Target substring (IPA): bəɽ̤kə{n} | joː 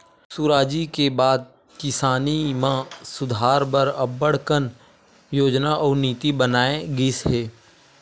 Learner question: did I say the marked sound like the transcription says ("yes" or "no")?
yes